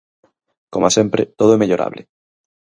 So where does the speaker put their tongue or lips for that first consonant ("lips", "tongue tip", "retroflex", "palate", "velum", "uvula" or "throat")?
velum